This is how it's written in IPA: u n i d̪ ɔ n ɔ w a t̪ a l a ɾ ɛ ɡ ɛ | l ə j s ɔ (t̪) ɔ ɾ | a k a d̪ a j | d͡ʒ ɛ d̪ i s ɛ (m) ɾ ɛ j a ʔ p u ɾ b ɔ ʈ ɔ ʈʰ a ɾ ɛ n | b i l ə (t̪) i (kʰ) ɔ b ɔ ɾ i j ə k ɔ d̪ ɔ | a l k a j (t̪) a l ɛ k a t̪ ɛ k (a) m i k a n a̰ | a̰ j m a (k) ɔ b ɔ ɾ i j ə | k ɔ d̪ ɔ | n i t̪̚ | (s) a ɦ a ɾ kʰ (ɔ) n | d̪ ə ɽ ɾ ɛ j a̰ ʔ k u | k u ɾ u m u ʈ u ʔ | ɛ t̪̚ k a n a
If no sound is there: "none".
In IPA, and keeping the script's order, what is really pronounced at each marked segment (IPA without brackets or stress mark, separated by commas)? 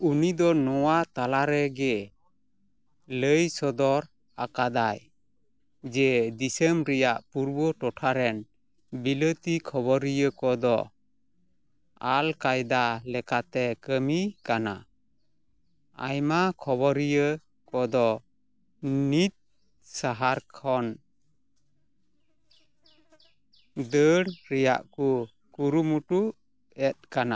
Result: d̪, m, t̪, kʰ, d̪, ə, kʰ, s, ɔ